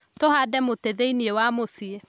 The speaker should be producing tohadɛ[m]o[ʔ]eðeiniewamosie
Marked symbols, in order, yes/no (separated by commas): yes, no